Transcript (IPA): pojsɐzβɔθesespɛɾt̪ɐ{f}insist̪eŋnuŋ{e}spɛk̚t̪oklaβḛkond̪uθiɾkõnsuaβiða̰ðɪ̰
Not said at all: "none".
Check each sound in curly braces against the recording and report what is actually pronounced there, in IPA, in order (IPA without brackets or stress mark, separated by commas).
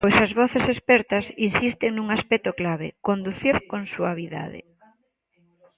s, a